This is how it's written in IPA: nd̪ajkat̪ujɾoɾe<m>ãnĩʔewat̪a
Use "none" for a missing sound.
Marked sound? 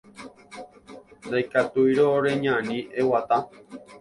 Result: ɲ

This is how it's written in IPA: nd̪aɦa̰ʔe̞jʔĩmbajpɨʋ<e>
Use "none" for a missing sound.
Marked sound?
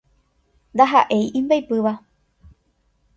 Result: a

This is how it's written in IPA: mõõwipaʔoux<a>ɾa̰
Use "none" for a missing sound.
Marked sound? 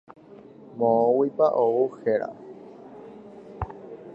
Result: e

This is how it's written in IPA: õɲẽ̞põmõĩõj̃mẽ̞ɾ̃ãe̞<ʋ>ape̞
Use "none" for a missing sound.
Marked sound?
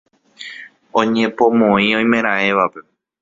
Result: ʋ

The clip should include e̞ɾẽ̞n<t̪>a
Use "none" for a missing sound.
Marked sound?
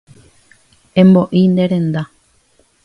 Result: d̪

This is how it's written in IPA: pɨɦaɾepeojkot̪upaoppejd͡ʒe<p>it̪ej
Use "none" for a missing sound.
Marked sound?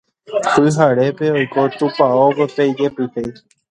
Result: p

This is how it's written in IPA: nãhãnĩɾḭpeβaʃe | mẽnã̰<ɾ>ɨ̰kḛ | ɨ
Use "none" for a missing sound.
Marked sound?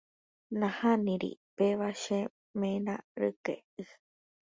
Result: ɾ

